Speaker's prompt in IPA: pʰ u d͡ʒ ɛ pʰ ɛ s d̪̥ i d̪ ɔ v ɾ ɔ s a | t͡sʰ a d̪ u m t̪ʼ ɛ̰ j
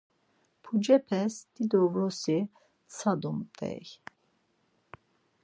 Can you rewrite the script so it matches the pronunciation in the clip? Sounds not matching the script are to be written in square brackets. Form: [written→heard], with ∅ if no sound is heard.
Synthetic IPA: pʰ u d͡ʒ ɛ pʰ ɛ s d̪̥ i d̪ ɔ v ɾ ɔ s [a→i] | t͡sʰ a d̪ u m t̪ʼ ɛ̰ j